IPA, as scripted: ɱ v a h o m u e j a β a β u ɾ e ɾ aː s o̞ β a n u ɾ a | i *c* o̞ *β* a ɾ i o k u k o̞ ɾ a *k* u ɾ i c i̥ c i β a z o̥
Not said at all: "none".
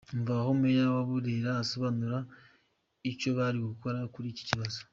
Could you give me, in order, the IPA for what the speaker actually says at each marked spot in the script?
c, β, k

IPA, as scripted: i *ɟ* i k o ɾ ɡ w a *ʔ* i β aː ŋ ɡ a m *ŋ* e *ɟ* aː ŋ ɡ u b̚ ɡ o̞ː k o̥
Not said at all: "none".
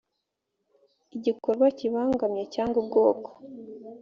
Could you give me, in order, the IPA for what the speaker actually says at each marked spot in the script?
ɟ, c, ɲ, c

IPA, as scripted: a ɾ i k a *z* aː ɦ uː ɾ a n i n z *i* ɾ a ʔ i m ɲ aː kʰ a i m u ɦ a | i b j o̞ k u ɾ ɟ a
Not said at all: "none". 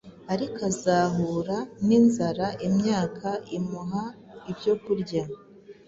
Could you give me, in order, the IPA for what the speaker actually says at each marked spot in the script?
z, a

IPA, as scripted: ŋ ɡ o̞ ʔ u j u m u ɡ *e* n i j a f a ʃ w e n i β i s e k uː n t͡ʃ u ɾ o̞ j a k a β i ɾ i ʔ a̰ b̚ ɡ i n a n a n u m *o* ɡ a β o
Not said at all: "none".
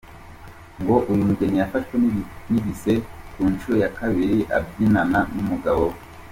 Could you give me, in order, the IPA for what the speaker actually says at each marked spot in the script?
e, u

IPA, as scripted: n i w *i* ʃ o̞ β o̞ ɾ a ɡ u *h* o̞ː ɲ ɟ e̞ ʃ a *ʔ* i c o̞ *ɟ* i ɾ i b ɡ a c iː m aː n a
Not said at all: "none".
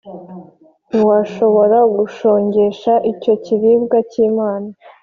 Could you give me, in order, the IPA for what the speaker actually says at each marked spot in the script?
a, ʃ, ʔ, c

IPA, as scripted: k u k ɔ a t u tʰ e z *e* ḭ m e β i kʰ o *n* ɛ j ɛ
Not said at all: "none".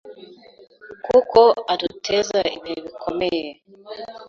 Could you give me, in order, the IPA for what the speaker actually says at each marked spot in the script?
a, m

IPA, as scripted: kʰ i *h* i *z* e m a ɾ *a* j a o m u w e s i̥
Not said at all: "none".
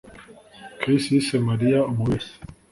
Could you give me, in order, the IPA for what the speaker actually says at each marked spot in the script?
s, s, i

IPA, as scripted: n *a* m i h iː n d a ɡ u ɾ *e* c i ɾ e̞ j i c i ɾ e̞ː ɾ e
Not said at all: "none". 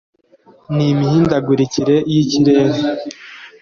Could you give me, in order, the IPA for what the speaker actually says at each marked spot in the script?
i, i

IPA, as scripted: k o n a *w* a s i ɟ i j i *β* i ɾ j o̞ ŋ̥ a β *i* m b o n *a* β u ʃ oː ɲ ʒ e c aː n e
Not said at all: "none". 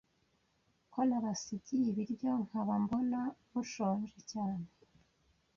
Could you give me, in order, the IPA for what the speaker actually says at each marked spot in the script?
β, β, a, a

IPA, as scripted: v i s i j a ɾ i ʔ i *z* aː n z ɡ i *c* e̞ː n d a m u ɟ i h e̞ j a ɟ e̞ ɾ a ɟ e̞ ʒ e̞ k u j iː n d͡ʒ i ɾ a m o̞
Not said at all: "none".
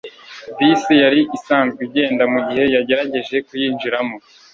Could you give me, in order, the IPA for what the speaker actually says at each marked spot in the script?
s, ɟ

